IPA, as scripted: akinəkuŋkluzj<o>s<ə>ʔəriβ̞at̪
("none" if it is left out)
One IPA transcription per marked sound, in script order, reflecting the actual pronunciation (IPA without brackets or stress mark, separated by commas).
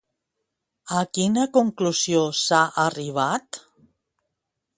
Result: o, a